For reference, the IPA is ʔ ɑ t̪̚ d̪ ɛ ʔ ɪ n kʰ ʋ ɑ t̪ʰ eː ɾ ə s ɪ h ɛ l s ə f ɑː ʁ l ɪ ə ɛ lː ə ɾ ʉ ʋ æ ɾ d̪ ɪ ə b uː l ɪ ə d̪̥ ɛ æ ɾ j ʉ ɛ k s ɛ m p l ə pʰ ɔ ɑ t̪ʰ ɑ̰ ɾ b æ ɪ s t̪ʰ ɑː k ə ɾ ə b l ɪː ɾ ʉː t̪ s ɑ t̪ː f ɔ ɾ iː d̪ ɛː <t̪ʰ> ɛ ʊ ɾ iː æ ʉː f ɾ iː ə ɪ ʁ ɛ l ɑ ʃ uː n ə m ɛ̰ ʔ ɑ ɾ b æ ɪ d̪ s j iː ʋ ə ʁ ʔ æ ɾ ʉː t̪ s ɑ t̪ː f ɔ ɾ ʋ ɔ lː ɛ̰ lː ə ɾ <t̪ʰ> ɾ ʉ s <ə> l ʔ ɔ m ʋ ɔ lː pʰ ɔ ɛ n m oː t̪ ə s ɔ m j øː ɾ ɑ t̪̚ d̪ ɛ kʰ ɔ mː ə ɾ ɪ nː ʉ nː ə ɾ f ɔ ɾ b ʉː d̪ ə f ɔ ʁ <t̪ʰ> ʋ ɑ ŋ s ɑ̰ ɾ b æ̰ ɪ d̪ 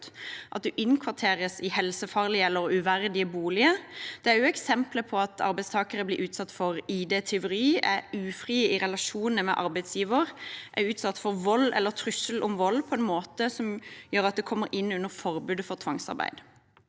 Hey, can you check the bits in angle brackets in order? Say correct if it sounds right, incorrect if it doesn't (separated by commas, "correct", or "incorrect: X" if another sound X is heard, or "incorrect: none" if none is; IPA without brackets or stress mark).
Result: correct, correct, correct, correct